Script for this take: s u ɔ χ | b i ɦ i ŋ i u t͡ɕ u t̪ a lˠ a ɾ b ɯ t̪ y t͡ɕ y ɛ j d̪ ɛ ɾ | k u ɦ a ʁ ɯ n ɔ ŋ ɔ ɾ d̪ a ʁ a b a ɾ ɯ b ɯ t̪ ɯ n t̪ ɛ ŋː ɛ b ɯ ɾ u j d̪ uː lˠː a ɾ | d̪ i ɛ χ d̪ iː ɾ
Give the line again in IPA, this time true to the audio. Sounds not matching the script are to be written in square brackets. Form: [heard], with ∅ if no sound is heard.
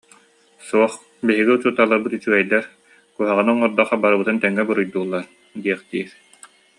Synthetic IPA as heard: s u ɔ χ | b i ɦ i [ɡ] i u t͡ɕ u t̪ a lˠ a ɾ b ɯ t̪ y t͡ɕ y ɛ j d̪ ɛ ɾ | k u ɦ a ʁ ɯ n ɔ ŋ ɔ ɾ d̪ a [χ] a b a ɾ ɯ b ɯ t̪ ɯ n t̪ ɛ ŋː ɛ b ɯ ɾ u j d̪ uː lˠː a ɾ | d̪ i ɛ χ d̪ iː ɾ